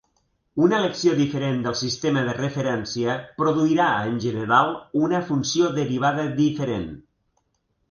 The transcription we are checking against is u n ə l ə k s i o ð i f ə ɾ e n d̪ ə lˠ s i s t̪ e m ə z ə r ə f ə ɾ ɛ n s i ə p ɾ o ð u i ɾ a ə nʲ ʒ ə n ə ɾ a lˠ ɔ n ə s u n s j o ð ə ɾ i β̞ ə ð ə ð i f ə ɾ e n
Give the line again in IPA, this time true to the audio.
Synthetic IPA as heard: u n ə l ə k s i o ð i f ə ɾ e n d̪ ə lˠ s i s t̪ e m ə ð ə r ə f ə ɾ ɛ n s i ə p ɾ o ð u i ɾ a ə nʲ ʒ ə n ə ɾ a lˠ u n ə f u n s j o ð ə ɾ i β̞ a ð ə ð i f ə ɾ e n